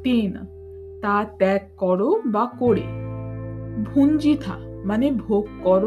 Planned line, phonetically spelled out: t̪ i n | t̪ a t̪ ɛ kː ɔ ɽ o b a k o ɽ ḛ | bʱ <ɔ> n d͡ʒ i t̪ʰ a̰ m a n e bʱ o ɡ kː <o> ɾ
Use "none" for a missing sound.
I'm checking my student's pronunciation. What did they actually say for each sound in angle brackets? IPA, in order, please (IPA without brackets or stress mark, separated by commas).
u, ɔ